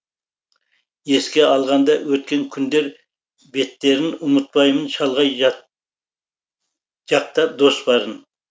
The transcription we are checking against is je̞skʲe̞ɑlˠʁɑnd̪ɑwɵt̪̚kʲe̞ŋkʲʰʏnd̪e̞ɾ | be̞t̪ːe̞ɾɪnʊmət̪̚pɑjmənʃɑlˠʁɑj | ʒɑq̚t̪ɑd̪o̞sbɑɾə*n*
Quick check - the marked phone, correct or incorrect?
correct